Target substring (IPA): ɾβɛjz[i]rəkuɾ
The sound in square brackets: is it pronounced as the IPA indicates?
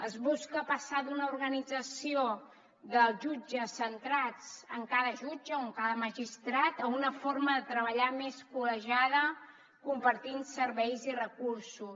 yes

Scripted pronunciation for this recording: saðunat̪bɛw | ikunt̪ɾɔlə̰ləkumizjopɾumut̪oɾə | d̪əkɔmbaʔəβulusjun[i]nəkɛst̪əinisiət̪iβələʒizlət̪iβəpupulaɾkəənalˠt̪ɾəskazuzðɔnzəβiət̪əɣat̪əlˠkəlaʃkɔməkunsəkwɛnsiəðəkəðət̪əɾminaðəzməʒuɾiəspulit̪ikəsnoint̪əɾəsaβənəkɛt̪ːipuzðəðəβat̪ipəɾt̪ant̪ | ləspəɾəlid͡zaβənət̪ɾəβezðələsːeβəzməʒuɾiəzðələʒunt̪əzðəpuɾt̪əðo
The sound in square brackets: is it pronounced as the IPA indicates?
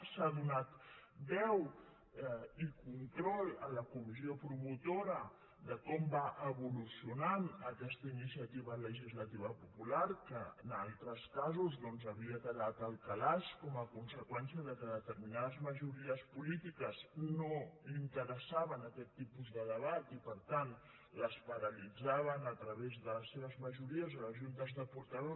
no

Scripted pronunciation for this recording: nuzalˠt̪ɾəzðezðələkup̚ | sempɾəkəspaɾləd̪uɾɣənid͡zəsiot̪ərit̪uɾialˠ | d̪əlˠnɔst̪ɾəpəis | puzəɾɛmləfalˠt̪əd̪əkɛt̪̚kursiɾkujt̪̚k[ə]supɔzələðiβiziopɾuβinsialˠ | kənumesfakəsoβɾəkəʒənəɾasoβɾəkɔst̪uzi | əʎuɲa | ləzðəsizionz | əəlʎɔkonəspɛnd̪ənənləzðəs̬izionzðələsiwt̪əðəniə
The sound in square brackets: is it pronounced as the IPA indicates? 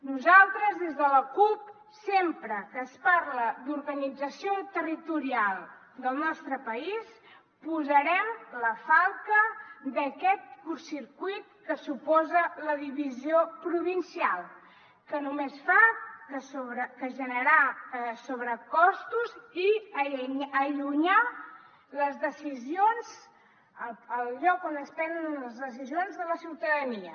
yes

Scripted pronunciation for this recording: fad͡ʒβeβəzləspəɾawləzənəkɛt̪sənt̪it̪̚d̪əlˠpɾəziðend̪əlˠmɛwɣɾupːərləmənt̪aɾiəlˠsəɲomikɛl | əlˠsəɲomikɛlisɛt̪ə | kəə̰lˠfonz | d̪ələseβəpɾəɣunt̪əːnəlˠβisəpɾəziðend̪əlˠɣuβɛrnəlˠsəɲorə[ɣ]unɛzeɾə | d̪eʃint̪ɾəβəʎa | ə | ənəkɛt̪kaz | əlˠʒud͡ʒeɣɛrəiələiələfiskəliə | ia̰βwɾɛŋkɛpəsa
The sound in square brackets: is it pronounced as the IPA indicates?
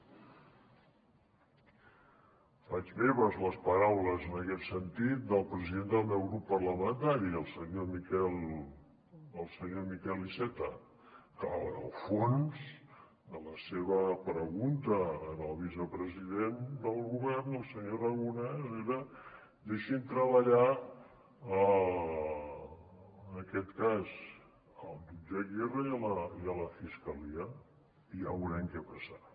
yes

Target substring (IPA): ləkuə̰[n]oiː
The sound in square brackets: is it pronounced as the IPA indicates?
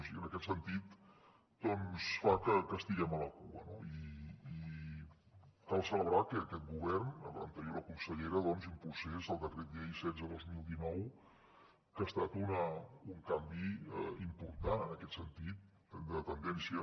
yes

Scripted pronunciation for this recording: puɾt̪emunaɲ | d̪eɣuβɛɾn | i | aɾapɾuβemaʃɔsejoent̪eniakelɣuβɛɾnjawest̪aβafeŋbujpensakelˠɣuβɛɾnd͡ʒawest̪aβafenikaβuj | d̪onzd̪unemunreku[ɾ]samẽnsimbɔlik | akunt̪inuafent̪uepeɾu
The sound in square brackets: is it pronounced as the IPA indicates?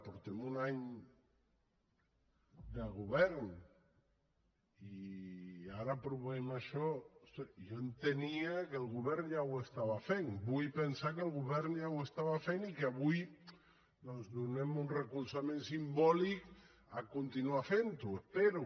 no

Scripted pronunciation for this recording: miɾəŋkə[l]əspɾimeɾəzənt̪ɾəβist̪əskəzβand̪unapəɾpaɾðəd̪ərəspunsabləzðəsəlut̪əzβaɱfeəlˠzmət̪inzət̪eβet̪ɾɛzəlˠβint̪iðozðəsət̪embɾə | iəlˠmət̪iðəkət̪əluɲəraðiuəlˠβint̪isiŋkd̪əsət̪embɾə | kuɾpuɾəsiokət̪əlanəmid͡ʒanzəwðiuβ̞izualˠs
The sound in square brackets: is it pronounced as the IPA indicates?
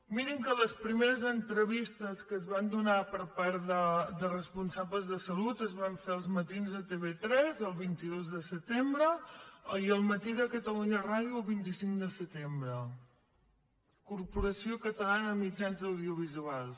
yes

